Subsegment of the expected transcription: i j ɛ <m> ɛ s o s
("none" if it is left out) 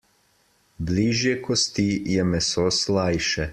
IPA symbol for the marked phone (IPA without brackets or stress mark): m